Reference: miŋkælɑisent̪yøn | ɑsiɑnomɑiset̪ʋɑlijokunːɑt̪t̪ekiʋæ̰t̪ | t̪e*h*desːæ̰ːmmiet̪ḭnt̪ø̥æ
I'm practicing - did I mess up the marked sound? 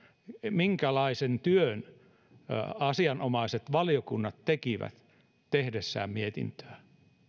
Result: no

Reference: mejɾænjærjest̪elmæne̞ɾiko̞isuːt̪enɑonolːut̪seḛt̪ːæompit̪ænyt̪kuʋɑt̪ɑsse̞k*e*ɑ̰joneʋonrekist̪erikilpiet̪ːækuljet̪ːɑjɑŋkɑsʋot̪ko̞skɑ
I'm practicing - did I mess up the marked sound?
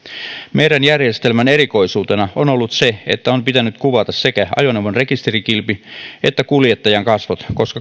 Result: yes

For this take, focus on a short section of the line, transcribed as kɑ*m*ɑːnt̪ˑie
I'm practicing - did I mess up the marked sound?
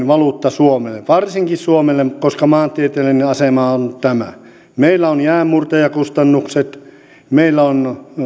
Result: no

